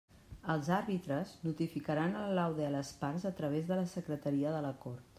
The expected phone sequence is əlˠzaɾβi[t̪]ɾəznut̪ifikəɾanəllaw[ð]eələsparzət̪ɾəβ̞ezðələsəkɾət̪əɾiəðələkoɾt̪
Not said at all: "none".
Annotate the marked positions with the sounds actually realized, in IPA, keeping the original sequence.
t̪, ð

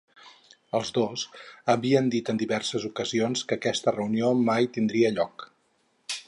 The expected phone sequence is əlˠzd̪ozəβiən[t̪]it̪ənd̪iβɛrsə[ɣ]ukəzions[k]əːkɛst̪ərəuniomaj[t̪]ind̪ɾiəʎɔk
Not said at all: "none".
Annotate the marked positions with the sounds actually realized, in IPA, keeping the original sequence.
d̪, z, k, t̪

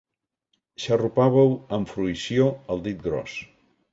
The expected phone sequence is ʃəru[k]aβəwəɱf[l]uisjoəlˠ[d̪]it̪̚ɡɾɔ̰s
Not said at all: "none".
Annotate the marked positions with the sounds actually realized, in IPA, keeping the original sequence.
p, ɾ, d̪

